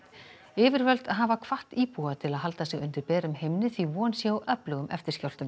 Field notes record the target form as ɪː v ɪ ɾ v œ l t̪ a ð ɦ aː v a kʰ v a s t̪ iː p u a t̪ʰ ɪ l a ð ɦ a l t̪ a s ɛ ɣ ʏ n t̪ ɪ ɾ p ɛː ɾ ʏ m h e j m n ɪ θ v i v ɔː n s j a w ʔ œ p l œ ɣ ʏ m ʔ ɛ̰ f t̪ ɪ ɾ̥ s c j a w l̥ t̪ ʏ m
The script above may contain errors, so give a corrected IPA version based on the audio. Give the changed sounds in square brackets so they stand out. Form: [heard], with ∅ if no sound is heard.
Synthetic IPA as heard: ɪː v ɪ ɾ v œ l t̪ a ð ɦ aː v a kʰ v a [h] t̪ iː p u a t̪ʰ ɪ l a ð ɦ a l t̪ a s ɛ ɣ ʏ n t̪ ɪ ɾ p ɛː ɾ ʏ m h e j m n ɪ θ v i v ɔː n s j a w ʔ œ p l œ ɣ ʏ m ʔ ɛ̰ f t̪ ɪ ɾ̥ s c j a w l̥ t̪ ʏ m